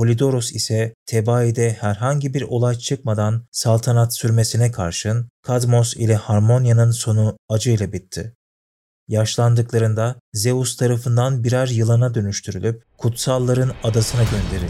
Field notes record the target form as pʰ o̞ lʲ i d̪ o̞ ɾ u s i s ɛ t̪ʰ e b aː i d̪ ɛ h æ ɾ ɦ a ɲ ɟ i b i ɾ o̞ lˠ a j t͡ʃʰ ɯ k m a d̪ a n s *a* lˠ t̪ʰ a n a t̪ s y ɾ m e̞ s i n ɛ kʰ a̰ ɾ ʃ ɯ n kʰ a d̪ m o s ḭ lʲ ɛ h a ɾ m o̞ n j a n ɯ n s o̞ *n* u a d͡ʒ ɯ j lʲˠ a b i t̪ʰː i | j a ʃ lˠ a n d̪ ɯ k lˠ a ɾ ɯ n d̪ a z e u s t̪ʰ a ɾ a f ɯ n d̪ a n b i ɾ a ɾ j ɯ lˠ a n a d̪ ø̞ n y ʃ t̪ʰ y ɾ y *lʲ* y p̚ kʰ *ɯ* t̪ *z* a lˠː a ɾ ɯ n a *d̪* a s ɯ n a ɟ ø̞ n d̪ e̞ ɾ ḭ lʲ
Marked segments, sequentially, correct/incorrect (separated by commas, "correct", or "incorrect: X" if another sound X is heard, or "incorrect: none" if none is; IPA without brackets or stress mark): correct, correct, correct, incorrect: u, incorrect: s, correct